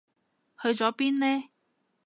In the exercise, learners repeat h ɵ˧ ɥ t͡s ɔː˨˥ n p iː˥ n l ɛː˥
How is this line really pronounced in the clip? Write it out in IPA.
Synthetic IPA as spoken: h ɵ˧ ɥ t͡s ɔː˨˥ p iː˥ n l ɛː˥